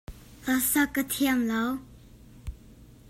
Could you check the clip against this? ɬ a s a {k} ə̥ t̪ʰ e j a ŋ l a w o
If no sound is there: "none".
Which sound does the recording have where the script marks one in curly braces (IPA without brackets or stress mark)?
k